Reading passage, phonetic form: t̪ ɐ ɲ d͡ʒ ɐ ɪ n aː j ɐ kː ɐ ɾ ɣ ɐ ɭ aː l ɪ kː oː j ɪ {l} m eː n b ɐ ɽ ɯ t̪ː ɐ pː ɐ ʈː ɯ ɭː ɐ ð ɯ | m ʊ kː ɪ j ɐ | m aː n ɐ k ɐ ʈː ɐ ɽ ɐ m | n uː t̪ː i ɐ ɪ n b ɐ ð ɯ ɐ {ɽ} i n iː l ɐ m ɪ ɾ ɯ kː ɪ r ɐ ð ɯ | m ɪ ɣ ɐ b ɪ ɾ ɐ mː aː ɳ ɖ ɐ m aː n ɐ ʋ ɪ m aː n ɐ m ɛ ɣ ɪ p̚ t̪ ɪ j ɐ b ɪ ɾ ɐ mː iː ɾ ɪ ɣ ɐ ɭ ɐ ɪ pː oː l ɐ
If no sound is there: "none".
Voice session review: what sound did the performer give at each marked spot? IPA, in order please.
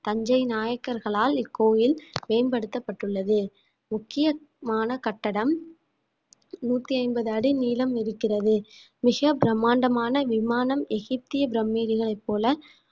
l, ɽ

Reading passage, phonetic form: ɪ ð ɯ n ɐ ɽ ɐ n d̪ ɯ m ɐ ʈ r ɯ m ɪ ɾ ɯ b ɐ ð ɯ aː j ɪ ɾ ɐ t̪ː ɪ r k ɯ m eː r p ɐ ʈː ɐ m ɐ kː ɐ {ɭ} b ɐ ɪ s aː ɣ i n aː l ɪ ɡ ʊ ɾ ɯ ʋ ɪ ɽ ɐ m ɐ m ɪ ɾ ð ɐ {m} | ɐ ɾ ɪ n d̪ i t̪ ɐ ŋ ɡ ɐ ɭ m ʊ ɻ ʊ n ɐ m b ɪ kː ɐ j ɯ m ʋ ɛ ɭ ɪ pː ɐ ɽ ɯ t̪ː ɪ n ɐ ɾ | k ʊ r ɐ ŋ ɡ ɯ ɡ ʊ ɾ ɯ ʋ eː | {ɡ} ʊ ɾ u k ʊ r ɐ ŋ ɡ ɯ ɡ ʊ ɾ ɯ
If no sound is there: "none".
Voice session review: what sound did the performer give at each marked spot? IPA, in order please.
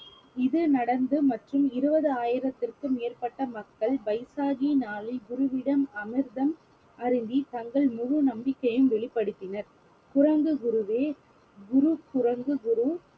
ɭ, m, ɡ

